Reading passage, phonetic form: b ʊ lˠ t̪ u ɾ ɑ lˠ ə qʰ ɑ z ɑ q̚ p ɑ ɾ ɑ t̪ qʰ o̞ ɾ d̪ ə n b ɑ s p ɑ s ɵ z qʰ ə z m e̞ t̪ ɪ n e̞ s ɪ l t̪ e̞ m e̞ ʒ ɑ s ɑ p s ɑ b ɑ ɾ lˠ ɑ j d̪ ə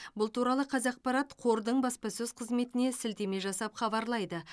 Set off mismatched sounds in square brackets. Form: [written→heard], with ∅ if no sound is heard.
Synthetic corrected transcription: b ʊ lˠ t̪ u ɾ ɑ lˠ ə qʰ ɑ z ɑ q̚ p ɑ ɾ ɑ t̪ qʰ o̞ ɾ d̪ ə [n→ɴ] b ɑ s p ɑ s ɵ z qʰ ə z m e̞ t̪ ɪ n e̞ s ɪ l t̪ e̞ m e̞ ʒ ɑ s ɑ p [s→χ] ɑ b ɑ ɾ lˠ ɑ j d̪ ə